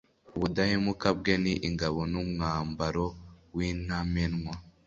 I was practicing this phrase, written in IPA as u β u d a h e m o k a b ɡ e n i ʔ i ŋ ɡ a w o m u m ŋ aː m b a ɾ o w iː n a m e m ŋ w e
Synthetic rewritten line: u β u d a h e m u k a b ɡ e n i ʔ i ŋ ɡ a β o n u m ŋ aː m b a ɾ o w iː n a m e n ŋ w a